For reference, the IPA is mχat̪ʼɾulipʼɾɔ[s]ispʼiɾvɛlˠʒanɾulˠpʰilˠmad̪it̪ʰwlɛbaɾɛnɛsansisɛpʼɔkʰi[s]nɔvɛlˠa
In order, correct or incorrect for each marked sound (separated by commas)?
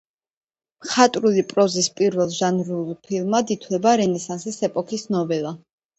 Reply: incorrect, correct